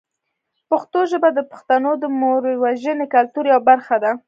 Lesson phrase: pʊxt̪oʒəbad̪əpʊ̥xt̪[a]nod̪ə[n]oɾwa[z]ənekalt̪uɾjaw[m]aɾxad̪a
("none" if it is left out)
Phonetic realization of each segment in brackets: a, m, ʒ, b

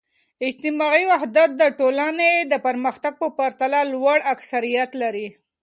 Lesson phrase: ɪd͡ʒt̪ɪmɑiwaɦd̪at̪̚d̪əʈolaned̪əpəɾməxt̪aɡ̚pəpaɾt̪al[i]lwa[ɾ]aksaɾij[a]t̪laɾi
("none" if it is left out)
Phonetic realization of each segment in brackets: a, ɽ, a

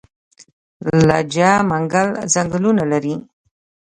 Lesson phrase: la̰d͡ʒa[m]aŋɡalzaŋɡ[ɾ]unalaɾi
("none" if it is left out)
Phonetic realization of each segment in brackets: m, l

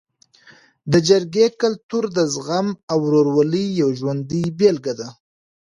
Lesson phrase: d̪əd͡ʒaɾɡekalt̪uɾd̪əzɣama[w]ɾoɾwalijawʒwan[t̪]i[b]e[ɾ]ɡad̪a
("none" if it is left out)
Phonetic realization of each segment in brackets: w, d̪, b, l

